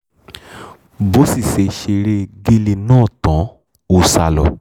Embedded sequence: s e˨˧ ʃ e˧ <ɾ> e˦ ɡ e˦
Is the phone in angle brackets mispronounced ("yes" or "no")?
no